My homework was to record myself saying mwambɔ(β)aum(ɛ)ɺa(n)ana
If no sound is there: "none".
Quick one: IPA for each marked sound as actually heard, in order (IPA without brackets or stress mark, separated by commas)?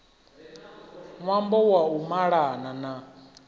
w, a, n